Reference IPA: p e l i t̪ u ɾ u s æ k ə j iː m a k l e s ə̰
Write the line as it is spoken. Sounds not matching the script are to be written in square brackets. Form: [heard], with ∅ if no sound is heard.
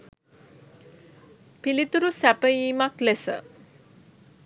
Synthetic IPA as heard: p [i] l i t̪ u ɾ u s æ [p] ə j iː m a k l e s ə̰